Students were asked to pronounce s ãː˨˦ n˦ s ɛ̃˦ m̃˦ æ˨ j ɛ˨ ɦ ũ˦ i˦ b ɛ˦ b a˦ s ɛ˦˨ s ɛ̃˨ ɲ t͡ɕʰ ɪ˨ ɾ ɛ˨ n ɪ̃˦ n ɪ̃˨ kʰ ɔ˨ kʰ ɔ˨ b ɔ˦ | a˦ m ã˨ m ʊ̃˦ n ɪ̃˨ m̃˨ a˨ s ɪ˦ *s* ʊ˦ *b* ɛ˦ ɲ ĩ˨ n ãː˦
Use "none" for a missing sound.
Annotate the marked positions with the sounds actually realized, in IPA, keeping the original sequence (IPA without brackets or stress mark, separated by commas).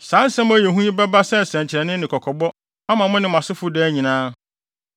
f, d